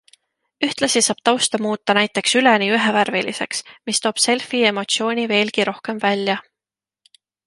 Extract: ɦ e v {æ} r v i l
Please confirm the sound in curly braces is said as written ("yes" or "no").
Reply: yes